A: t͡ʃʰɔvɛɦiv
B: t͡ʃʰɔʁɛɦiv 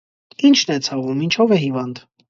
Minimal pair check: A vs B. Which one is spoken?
A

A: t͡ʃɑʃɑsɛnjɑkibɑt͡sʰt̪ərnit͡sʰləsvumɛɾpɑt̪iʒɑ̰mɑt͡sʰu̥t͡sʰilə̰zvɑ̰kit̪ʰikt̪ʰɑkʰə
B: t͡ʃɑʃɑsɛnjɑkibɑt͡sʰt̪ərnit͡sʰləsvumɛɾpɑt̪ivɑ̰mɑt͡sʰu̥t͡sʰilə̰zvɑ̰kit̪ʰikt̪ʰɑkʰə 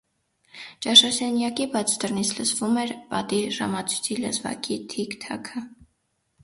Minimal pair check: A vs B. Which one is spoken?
A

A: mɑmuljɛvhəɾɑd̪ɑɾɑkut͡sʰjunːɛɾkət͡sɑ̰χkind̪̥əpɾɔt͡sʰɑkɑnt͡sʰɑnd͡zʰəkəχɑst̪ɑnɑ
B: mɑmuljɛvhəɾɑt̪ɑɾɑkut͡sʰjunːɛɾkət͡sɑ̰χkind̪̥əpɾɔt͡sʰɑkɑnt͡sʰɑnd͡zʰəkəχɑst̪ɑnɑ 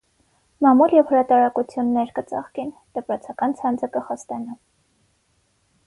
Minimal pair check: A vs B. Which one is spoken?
B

